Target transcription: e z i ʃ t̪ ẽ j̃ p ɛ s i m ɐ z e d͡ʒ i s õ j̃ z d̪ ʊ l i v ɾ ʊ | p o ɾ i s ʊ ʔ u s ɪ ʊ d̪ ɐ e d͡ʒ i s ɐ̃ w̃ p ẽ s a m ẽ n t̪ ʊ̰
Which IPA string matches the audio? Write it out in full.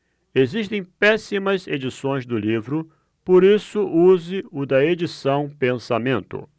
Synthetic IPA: e z i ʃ t̪ ẽ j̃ p ɛ s i m ɐ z e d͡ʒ i s õ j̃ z d̪ ʊ l i v ɾ ʊ | p o ɾ i s ʊ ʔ u z ɪ ʊ d̪ ɐ e d͡ʒ i s ɐ̃ w̃ p ẽ s a m ẽ n t̪ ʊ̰